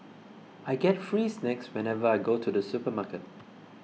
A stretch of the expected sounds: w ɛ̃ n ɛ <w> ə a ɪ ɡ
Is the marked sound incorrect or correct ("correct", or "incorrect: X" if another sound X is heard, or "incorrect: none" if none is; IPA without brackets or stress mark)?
incorrect: v